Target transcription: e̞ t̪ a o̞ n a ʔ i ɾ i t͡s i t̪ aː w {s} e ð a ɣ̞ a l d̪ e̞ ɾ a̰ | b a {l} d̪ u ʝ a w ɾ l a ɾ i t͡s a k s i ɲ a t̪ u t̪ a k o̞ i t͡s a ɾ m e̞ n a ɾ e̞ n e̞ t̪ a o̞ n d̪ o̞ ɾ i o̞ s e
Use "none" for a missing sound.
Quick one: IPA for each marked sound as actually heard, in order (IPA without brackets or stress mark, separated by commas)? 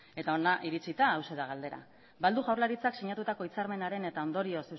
s, l